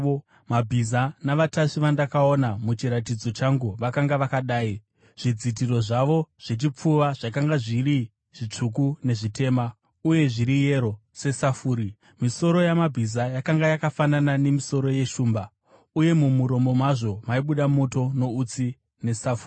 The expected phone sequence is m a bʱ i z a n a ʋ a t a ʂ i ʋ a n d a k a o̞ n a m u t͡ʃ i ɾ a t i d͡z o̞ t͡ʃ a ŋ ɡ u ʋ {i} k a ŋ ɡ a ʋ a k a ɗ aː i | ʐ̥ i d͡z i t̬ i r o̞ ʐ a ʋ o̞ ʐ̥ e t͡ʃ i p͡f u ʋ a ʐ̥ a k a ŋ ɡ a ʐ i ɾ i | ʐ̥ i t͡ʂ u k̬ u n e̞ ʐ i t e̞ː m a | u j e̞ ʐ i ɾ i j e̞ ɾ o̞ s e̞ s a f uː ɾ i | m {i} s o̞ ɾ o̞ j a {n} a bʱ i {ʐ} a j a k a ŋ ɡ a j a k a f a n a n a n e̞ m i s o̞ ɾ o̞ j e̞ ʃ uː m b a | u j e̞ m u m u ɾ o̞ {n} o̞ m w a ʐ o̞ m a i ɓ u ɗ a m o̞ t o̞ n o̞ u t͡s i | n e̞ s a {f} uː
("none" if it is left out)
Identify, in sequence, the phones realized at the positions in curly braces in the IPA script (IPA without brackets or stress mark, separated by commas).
a, i, m, z, m, f